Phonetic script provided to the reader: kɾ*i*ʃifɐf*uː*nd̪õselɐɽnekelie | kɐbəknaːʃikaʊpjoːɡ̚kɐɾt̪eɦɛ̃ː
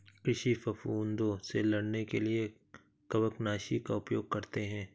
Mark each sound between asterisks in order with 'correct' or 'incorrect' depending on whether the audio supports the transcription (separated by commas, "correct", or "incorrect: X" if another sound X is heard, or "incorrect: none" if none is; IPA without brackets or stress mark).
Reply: incorrect: ɪ, correct